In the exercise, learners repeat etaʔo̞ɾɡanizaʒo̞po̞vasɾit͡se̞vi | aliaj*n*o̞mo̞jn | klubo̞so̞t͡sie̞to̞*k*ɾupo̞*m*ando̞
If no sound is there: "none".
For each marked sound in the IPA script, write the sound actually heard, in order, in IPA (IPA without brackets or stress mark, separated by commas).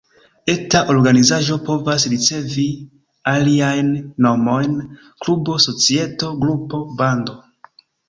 nː, ɡ, b